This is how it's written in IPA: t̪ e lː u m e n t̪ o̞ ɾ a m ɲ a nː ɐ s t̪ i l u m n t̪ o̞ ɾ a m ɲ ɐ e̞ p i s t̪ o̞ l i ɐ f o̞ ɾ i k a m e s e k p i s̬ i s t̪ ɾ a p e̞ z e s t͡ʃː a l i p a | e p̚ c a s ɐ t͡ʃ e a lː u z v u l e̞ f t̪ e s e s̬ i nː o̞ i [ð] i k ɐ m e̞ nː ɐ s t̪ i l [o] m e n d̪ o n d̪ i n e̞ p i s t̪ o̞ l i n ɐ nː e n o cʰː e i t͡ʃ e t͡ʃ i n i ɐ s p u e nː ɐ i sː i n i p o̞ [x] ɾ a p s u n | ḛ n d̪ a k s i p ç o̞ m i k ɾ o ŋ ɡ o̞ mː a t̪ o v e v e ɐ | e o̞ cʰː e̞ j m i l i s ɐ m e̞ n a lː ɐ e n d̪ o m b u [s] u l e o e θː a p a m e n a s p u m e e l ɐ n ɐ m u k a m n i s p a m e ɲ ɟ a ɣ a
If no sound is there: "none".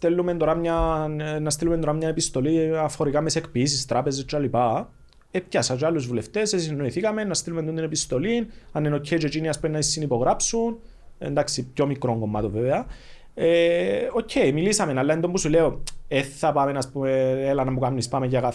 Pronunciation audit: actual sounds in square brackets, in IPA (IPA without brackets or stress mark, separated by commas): θ, u, ɣ, s